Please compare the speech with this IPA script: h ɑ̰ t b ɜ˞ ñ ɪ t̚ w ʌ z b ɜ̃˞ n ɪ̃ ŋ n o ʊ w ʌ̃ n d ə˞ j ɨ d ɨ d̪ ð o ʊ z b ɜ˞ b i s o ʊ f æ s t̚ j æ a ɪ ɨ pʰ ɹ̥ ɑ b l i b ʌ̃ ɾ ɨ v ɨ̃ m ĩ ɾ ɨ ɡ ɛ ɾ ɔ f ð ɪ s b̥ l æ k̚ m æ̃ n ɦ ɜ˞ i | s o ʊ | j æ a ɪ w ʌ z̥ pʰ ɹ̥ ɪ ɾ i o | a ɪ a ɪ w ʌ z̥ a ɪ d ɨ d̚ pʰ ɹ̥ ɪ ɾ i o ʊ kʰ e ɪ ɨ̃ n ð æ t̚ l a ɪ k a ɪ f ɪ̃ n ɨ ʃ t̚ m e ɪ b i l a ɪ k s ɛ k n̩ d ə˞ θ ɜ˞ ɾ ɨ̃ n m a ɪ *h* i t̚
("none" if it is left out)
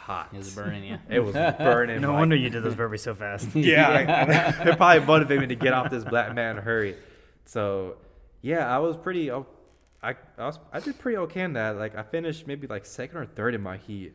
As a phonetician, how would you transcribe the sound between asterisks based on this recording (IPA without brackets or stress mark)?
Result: h